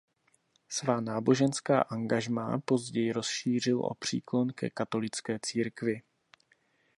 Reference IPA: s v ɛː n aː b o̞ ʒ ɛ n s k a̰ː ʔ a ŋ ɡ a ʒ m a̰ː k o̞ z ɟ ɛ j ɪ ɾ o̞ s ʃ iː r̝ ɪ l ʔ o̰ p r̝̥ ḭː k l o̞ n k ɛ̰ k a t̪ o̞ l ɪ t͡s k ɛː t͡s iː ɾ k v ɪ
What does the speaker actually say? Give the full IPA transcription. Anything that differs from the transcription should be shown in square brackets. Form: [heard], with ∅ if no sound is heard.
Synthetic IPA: s v [aː] n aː b o̞ ʒ ɛ n s k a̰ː ʔ a ŋ ɡ a ʒ m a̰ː [p] o̞ z ɟ ɛ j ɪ ɾ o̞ s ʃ iː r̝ ɪ l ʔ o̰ p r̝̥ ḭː k l o̞ n k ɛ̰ k a t̪ o̞ l ɪ t͡s k ɛː t͡s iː ɾ k v ɪ

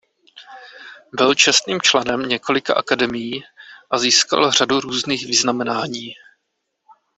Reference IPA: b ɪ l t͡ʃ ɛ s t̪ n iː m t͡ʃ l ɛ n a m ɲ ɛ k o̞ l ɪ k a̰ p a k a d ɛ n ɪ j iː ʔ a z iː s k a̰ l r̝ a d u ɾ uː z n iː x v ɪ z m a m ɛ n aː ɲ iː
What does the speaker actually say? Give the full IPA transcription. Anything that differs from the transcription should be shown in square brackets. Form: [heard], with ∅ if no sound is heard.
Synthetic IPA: b ɪ l t͡ʃ ɛ s t̪ n iː m t͡ʃ l ɛ n [ɛ] m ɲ ɛ k o̞ l ɪ k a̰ [ʔ] a k a d ɛ [m] ɪ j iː ʔ a z iː s k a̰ l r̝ a d u ɾ uː z n iː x v ɪ z [n] a m ɛ n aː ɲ iː

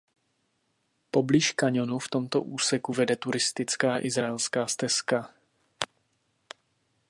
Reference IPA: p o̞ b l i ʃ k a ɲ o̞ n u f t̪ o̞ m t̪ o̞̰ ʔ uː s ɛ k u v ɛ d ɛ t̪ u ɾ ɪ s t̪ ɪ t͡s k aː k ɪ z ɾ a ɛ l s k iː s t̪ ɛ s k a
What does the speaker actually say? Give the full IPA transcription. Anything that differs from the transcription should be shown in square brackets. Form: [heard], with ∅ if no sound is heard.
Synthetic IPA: p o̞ b l i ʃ k a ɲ o̞ n u f t̪ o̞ m t̪ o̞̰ ʔ uː s ɛ k u v ɛ d ɛ t̪ u ɾ ɪ s t̪ ɪ t͡s k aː [ʔ] ɪ z ɾ a ɛ l s k [aː] s t̪ ɛ s k a

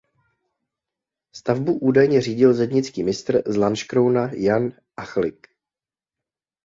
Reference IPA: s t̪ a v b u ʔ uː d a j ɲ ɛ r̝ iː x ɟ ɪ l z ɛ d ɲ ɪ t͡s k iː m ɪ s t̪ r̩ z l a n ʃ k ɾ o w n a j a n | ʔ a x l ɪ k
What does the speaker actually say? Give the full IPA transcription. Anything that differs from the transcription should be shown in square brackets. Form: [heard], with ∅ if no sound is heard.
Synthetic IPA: s t̪ a v b u ʔ uː d a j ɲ ɛ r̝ iː [∅] ɟ ɪ l z ɛ d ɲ ɪ t͡s k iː m ɪ s t̪ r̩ z l a n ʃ k ɾ o w n a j a n | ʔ a x l ɪ k

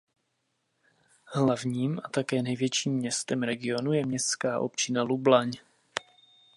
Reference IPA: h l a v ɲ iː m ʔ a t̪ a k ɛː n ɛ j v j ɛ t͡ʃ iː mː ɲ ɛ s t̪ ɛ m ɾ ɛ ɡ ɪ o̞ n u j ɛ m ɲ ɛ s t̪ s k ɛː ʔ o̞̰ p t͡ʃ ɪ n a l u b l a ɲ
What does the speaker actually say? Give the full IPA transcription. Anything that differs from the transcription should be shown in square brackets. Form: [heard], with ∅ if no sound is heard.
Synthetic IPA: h l a v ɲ iː m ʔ a t̪ a k ɛː n ɛ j v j ɛ t͡ʃ iː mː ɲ ɛ s t̪ ɛ m ɾ ɛ ɡ ɪ o̞ n u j ɛ m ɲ ɛ s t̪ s k [aː] ʔ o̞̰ p t͡ʃ ɪ n a l u b l a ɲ

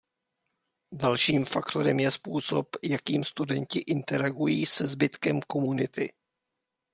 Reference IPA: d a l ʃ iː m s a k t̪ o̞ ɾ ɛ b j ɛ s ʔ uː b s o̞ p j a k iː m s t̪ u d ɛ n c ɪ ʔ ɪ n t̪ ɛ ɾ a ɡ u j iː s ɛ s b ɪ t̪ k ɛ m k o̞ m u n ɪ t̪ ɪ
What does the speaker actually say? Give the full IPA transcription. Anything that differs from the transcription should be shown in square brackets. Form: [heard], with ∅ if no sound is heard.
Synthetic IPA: d a l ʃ iː m [f] a k t̪ o̞ ɾ ɛ [m] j ɛ s [p] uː [∅] s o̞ p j a k iː m s t̪ u d ɛ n c ɪ ʔ ɪ n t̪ ɛ ɾ a ɡ u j iː s ɛ [z] b ɪ t̪ k ɛ m k o̞ m u n ɪ t̪ ɪ

